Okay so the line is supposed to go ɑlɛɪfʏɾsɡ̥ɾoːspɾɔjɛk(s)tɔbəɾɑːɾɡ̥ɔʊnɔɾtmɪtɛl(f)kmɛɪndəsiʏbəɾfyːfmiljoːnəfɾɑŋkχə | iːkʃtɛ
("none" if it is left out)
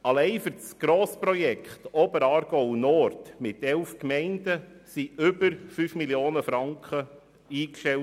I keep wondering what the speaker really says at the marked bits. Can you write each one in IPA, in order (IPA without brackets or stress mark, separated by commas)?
χ, f